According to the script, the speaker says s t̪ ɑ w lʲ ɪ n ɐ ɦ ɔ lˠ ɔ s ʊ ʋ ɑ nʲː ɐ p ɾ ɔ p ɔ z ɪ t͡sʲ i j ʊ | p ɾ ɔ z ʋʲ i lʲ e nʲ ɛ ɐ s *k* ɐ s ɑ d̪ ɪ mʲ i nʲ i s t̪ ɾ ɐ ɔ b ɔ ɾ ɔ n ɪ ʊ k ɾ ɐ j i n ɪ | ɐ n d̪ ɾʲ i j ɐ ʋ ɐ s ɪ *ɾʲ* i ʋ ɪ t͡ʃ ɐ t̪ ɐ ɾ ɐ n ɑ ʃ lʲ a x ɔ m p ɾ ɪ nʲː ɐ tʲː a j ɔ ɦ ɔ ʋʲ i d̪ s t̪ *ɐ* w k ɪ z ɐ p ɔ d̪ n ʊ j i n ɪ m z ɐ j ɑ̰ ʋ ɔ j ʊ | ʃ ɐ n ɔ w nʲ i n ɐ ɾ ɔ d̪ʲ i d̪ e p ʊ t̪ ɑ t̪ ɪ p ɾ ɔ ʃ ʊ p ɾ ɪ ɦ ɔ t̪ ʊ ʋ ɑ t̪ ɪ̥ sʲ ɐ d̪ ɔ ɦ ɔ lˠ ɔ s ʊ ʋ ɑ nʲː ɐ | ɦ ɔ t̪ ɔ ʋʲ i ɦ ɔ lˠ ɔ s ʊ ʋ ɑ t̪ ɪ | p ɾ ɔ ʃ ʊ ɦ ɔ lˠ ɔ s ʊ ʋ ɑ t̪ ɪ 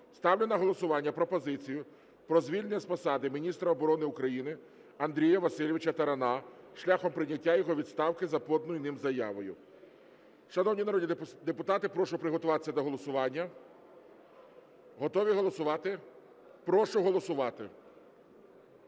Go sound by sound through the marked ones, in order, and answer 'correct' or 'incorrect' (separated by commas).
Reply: incorrect, incorrect, incorrect